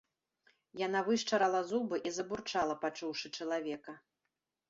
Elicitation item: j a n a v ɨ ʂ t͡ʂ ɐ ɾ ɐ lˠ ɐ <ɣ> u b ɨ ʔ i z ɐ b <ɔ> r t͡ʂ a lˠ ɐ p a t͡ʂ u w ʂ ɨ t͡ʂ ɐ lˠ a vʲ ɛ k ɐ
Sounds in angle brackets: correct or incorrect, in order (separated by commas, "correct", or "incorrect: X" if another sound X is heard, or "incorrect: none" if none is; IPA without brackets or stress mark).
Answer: incorrect: z, incorrect: u